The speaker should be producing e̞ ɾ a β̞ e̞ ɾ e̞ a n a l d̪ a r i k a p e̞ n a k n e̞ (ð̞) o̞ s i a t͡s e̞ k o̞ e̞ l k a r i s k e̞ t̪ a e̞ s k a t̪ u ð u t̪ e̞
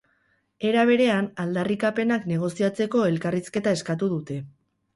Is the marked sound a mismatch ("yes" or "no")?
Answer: yes